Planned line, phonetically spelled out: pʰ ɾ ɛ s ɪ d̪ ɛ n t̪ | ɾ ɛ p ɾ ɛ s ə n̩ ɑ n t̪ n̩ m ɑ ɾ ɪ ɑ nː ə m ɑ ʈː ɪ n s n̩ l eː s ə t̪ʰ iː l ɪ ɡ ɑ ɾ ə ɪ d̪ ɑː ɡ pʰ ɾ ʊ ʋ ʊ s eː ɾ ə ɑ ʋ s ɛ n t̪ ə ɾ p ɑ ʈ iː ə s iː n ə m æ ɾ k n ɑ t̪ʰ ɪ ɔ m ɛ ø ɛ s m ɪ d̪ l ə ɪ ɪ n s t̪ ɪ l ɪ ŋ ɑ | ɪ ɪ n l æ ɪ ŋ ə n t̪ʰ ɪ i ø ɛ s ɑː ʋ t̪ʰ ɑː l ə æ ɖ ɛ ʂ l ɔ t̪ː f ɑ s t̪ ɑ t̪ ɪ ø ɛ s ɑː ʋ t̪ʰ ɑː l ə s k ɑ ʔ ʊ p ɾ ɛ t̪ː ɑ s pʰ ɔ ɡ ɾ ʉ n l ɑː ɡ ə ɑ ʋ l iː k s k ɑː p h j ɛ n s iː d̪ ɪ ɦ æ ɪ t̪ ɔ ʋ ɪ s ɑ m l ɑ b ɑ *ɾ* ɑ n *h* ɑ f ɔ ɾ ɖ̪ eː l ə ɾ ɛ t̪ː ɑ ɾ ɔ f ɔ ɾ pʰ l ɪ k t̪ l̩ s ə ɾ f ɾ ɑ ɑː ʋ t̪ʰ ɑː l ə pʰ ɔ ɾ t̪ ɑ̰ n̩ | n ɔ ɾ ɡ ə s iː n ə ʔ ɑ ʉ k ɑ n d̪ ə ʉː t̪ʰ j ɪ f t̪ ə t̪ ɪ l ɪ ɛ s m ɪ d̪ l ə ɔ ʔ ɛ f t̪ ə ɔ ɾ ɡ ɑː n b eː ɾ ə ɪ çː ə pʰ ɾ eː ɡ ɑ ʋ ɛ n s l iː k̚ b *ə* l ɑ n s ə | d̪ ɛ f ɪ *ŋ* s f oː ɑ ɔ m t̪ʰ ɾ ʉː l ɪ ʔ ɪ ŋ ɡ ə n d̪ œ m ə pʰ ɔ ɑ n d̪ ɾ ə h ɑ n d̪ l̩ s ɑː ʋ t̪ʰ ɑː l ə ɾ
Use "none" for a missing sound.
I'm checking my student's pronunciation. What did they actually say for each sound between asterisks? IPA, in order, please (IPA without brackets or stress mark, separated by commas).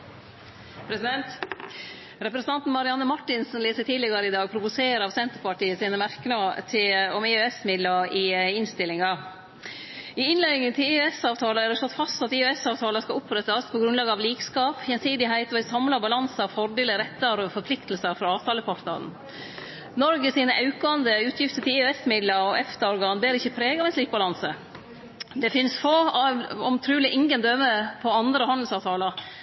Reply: l, s, ɑ, n